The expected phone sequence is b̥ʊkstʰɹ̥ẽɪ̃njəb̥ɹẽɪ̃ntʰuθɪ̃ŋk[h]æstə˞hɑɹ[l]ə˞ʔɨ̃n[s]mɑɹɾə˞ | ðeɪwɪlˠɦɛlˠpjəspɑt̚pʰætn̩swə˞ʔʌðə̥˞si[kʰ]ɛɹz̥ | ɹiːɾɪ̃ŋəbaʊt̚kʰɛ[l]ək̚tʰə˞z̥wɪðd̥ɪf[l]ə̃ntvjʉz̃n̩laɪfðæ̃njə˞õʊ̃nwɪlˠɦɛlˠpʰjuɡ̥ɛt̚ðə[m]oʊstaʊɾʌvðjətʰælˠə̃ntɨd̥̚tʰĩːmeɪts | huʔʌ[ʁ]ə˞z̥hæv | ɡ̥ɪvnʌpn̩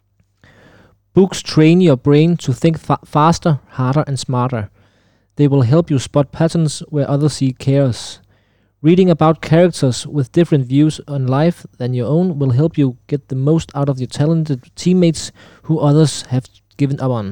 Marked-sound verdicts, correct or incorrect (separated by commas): incorrect, incorrect, correct, correct, incorrect, incorrect, correct, incorrect